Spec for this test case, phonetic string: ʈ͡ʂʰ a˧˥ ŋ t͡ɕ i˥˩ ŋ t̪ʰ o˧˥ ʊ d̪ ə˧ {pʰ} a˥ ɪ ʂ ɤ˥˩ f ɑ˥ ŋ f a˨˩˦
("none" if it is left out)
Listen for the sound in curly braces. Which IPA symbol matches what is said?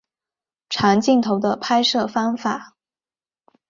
pʰ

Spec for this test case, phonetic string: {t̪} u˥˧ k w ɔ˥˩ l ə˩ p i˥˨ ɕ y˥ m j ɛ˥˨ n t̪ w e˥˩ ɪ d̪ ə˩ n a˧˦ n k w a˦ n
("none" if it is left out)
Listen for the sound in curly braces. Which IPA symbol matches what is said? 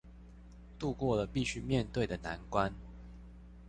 t̪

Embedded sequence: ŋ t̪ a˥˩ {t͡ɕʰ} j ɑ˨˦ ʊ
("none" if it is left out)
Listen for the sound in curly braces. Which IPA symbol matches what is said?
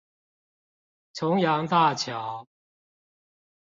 t͡ɕʰ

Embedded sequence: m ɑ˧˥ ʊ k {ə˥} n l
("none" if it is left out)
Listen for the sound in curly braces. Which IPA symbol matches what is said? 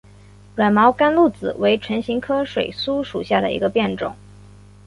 a˥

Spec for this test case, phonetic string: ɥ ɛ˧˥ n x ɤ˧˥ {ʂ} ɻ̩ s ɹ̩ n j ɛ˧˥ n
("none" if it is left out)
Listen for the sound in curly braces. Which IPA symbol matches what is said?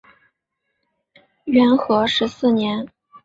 ʂ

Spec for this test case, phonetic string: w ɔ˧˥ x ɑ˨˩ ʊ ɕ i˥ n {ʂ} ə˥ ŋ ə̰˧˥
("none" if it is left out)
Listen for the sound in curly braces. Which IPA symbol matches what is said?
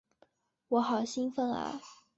f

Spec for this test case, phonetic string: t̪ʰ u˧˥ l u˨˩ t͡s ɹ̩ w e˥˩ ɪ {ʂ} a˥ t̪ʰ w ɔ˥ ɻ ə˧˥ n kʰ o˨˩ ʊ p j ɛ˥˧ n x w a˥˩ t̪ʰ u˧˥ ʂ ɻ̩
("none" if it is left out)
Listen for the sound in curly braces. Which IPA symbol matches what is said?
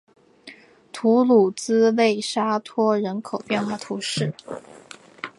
ʂ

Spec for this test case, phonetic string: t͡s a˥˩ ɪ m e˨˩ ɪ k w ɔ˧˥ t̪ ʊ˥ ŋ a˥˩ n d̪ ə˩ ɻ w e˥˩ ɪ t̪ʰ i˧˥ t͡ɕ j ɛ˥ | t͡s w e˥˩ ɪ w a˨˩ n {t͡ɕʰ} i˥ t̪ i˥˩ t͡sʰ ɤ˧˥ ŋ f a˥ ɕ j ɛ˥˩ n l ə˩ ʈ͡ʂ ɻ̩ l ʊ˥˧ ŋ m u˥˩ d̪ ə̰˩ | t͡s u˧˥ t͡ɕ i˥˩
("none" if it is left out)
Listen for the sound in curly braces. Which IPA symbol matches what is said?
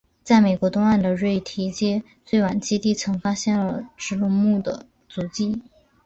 t͡ɕ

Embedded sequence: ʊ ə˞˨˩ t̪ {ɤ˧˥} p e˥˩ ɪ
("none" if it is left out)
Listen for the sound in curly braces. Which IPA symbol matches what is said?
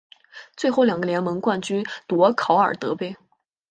ɤ˧˥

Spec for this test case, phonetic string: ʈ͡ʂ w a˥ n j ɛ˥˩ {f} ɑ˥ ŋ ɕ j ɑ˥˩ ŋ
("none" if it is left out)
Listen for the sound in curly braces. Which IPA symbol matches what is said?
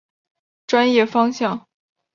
f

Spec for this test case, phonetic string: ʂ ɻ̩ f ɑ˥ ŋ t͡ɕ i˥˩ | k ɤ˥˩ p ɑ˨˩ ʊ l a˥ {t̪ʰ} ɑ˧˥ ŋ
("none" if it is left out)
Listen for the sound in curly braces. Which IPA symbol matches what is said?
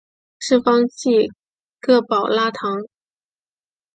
t̪ʰ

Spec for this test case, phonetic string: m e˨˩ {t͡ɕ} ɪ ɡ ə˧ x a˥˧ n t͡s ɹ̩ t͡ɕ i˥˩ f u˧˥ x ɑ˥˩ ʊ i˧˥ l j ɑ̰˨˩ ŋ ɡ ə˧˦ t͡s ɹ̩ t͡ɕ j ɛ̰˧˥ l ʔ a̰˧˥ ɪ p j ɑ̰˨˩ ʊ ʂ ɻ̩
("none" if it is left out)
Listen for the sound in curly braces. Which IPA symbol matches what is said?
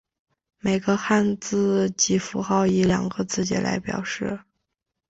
none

